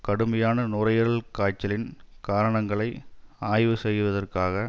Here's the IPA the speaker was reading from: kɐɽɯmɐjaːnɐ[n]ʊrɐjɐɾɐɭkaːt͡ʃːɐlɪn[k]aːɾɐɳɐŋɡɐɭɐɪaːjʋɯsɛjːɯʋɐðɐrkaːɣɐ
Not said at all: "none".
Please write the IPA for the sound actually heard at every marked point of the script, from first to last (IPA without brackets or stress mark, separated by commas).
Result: n, k